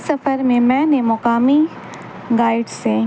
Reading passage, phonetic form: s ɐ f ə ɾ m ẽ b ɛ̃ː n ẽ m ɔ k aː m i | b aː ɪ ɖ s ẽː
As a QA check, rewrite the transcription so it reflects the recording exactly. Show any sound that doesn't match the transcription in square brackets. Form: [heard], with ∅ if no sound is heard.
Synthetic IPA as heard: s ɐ f ə ɾ m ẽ [m] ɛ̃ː n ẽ m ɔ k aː m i | [ɡ] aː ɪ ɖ s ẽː